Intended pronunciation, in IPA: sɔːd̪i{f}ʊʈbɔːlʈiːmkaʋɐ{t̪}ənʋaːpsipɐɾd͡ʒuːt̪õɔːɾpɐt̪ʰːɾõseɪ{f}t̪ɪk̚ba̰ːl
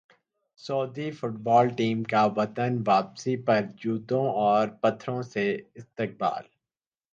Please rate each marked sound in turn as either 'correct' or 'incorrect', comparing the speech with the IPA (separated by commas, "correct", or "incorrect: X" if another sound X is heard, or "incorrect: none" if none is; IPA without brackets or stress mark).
correct, correct, incorrect: s